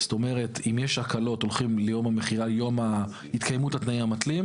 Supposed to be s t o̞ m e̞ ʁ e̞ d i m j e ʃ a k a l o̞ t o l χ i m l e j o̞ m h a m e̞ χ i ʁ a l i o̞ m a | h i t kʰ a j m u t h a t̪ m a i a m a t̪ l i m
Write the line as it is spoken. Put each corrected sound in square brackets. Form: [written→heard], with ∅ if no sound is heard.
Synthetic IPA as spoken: s t o̞ m e̞ ʁ e̞ [d→t] i m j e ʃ a k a l o̞ t o l χ i m l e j o̞ m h a m e̞ χ i ʁ a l [i→j] o̞ m a | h i t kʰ a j m u t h a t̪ [m→n] a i a m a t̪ l i m